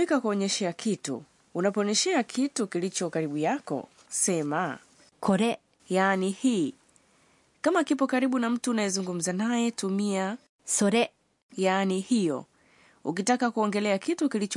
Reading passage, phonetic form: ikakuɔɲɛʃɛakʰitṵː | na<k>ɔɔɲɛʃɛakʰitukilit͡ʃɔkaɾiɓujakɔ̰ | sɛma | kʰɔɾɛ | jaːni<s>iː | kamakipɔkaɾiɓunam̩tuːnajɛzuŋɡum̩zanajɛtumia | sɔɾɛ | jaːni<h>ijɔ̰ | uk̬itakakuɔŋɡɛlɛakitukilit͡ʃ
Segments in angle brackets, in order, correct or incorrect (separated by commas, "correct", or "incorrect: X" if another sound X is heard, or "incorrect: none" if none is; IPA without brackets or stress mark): incorrect: p, incorrect: h, correct